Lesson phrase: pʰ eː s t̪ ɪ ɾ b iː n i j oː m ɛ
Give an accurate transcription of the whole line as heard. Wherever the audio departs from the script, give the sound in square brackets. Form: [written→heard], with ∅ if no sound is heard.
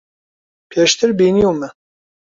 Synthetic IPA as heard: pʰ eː [s→ʃ] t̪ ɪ ɾ b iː n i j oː m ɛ